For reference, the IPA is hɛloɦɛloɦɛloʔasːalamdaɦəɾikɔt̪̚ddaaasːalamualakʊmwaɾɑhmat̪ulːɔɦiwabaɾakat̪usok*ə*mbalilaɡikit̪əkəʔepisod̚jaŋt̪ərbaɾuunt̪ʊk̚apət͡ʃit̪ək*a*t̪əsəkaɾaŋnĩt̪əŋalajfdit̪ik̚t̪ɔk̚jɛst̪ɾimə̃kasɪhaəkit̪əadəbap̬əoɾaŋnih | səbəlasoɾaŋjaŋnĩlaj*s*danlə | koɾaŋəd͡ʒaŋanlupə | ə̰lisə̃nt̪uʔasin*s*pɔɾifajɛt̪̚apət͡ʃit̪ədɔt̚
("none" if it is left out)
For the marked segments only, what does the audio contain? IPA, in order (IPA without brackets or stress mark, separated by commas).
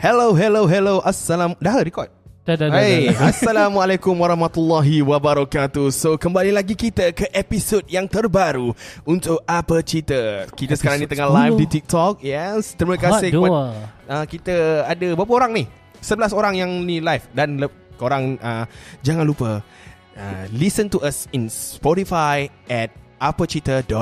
ə, i, f, s